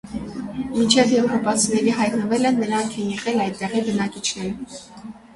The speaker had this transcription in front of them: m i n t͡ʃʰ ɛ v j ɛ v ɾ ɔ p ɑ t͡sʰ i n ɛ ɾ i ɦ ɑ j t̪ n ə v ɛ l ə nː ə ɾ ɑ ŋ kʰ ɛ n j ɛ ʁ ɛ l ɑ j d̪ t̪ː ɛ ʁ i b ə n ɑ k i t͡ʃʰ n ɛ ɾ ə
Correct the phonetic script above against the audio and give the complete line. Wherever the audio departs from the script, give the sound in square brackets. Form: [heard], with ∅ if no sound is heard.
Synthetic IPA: m i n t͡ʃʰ ɛ v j ɛ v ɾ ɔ p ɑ t͡sʰ i n ɛ ɾ i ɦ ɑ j t̪ n ə v ɛ l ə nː ə ɾ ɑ ŋ kʰ ɛ n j ɛ ʁ ɛ l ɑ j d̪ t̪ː ɛ ʁ i b ə n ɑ k i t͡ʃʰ n ɛ ɾ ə